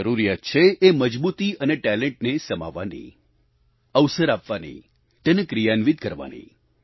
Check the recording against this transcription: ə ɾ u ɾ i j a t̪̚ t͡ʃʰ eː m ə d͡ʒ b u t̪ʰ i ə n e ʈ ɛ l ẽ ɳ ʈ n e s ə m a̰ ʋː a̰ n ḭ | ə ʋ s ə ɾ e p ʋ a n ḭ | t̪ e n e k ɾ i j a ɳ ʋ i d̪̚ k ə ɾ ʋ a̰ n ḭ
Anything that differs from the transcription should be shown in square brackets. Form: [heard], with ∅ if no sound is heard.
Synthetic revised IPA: ə ɾ u ɾ i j a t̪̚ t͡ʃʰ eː m ə d͡ʒ b u [t̪] i ə n e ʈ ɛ l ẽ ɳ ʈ n e s ə m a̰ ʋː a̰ n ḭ | ə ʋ s ə ɾ [a] p ʋ a n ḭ | t̪ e n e k ɾ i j a [n] ʋ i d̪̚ k ə ɾ ʋ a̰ n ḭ